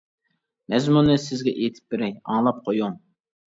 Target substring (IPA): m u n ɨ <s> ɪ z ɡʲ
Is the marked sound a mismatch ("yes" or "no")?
no